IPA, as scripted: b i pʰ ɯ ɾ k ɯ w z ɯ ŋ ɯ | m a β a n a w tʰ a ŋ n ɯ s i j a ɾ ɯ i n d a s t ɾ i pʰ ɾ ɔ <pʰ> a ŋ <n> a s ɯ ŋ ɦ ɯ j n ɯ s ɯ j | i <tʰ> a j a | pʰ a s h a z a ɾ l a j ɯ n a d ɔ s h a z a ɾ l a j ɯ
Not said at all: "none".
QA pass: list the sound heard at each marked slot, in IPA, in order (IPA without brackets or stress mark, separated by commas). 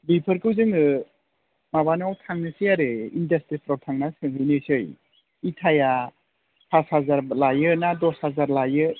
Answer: tʰ, n, tʰ